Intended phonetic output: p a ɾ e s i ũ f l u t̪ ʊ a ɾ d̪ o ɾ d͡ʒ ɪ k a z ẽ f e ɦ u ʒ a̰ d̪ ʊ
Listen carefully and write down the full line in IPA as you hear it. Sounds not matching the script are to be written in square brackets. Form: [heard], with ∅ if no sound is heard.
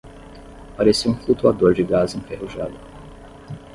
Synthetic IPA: p a ɾ e s i ũ f l u t̪ [u] a [∅] d̪ o ɾ d͡ʒ ɪ [ɡ] a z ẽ f e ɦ u ʒ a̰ d̪ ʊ